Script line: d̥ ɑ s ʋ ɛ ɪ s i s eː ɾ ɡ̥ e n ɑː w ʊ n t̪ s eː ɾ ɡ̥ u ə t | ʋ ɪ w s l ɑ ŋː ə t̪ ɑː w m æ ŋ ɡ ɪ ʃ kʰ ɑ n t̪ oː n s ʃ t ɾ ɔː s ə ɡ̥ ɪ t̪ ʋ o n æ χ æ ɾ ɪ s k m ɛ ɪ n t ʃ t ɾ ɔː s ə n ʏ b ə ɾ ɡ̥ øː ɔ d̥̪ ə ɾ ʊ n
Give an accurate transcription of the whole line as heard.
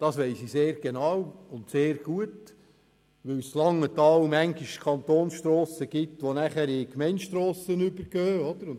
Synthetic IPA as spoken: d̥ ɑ s ʋ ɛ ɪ s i s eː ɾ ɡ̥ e n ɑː w ʊ n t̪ s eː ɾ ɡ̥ u ə t | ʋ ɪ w s l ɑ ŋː ə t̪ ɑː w m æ ŋ ɡ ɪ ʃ kʰ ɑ n t̪ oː n s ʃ t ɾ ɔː s ə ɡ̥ ɪ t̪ ʋ o n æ χ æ ɾ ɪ k m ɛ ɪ n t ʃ t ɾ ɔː s ə n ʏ b ə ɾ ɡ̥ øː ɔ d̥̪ ə ɾ ʊ n